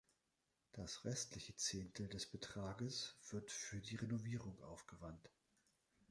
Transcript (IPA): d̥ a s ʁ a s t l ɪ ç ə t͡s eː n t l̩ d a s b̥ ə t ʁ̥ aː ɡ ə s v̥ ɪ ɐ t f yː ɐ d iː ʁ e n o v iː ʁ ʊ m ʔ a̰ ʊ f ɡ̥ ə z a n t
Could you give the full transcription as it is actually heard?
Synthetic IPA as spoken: d̥ a s ʁ ɛ s t l ɪ ç ə t͡s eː n t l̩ d ɛ s b̥ ə t ʁ̥ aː ɡ ə s v̥ ɪ ɐ t f yː ɐ d iː ʁ e n o v iː ʁ ʊ ŋ ʔ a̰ ʊ f ɡ̥ ə v a n t